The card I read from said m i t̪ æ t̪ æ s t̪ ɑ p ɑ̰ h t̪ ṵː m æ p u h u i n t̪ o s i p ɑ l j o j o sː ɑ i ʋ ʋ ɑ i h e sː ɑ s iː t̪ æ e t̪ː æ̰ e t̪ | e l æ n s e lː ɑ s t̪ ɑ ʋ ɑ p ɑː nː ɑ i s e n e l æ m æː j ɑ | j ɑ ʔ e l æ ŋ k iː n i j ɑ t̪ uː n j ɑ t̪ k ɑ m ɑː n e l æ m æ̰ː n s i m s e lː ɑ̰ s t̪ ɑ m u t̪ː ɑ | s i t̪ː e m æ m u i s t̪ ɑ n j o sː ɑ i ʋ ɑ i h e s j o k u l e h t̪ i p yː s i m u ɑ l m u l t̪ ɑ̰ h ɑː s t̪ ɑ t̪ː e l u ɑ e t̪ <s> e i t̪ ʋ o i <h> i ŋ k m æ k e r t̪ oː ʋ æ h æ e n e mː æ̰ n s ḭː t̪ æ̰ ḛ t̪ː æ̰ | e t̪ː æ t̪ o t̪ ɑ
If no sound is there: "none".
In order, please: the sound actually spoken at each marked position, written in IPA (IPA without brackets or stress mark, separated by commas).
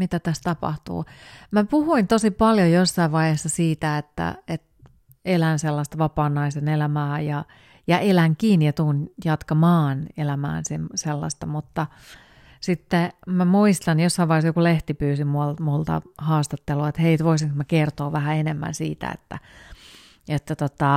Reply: h, s